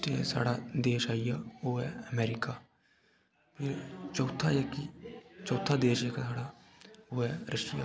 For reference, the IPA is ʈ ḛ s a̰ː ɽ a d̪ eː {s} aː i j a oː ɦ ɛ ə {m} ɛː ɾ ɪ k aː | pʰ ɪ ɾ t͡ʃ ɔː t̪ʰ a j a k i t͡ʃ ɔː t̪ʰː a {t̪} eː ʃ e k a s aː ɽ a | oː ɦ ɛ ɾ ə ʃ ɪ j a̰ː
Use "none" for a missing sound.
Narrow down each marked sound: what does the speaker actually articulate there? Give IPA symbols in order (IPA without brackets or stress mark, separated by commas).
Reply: ʃ, m, d̪